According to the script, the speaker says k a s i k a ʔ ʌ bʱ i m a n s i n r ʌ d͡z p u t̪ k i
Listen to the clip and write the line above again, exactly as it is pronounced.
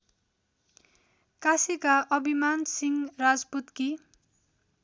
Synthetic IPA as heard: k a s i k a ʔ ʌ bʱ i m a n s i ŋ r a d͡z p u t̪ k i